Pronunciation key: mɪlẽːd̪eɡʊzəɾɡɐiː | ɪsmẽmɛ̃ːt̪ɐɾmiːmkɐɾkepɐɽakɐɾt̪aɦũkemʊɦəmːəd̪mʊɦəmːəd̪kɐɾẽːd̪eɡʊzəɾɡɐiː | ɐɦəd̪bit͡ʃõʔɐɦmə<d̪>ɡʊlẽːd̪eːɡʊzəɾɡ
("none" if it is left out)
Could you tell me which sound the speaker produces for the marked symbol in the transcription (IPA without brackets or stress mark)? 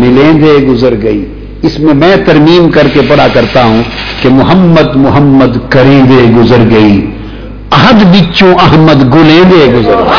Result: d̪